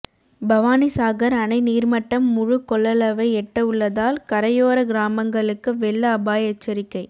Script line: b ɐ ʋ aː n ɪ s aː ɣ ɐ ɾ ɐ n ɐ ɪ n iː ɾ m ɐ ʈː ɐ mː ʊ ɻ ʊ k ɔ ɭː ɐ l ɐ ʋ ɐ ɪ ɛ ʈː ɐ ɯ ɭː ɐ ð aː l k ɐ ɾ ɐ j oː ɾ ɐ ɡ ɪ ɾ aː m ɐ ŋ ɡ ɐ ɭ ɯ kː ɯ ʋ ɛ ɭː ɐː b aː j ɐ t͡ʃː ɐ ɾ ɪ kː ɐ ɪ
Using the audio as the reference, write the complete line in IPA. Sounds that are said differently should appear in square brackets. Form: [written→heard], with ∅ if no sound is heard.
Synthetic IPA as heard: b ɐ ʋ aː n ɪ s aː ɣ ɐ ɾ ɐ n ɐ ɪ n iː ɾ m ɐ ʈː ɐ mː ʊ ɻ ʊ k ɔ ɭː ɐ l ɐ ʋ ɐ ɪ ɛ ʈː ɐ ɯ ɭː ɐ ð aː l k ɐ ɾ ɐ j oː ɾ ɐ ɡ ɪ ɾ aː m ɐ ŋ ɡ ɐ ɭ ɯ kː ɯ ʋ ɛ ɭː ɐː b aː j ɐ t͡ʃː ɐ ɾ ɪ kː ɐ ɪ